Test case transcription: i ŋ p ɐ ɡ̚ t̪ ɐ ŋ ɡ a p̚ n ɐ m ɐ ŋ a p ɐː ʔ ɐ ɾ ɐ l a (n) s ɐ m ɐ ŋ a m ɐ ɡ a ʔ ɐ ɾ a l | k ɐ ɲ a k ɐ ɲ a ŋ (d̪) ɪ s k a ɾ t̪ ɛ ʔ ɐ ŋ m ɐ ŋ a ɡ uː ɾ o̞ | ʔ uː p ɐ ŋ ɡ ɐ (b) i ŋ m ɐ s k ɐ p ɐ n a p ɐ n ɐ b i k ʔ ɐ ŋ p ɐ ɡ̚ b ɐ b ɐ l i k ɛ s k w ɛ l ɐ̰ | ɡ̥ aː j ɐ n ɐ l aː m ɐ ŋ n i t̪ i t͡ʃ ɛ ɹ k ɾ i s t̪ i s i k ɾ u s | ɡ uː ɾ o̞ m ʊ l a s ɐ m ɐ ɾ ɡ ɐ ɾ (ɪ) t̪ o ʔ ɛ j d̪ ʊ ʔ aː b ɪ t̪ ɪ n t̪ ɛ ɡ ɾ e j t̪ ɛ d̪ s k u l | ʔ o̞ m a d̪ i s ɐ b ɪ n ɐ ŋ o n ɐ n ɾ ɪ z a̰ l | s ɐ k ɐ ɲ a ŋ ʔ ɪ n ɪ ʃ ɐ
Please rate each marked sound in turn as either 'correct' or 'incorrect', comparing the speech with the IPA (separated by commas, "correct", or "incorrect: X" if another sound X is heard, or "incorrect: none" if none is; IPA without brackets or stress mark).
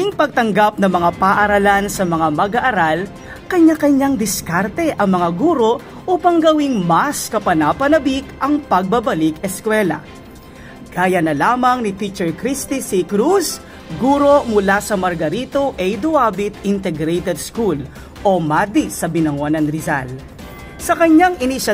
correct, correct, incorrect: w, incorrect: i